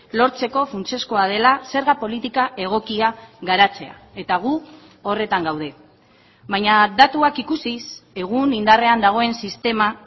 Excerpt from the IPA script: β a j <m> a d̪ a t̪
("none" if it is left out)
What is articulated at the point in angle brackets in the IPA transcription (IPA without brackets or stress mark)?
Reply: ɲ